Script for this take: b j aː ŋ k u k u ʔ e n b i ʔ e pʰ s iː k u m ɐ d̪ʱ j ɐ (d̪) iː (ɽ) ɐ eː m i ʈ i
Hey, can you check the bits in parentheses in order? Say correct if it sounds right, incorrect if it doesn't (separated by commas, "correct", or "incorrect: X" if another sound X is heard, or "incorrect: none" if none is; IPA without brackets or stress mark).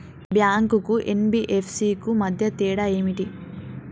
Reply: incorrect: t̪, correct